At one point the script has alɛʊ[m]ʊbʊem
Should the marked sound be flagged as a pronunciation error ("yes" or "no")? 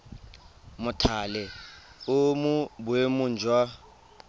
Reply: no